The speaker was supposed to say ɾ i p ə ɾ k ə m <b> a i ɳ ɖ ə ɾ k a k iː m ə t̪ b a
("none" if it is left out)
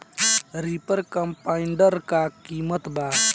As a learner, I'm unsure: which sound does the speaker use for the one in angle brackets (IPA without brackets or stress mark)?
p